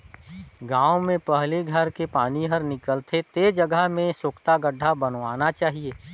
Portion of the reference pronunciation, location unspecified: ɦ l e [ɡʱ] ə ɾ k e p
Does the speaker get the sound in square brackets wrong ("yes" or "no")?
no